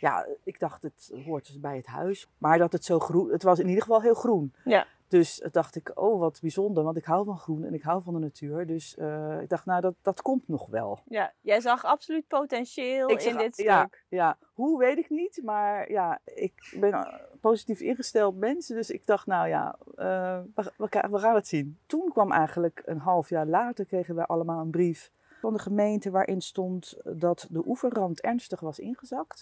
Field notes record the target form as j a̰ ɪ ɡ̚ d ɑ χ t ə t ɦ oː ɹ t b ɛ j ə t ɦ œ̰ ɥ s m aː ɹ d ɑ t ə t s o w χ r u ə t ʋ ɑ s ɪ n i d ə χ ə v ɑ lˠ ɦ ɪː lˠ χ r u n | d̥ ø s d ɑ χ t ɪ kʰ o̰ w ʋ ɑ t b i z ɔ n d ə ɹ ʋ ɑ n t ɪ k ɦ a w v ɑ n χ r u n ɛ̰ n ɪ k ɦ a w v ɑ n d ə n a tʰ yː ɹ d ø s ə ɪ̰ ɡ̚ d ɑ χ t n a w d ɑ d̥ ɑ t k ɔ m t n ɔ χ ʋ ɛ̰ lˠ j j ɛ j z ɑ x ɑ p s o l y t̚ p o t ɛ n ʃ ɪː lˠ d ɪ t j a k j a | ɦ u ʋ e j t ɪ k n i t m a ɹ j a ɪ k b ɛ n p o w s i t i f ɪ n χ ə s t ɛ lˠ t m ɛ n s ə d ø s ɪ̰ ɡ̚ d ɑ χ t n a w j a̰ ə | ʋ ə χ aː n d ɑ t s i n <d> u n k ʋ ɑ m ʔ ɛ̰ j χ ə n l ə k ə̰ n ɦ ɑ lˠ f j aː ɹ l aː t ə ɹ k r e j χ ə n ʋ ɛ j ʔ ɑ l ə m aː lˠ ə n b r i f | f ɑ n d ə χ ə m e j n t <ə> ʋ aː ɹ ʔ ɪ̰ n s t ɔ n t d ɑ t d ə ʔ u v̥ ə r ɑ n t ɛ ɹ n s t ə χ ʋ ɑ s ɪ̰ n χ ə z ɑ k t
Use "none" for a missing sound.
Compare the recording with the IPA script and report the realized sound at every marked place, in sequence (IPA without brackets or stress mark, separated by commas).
t, ə